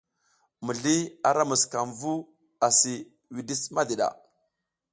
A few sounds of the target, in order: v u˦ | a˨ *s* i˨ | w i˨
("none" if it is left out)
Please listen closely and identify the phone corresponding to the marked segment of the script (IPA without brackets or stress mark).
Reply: s